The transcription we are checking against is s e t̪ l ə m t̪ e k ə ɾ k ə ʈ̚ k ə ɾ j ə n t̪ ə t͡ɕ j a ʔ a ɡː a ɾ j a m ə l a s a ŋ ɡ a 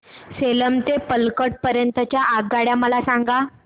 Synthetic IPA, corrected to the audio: s e l ə m t̪ e p ə l k ə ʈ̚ p ə ɾ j ə n t̪ ə t͡ɕ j a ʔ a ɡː a ɽ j a m ə l a s a ŋ ɡ a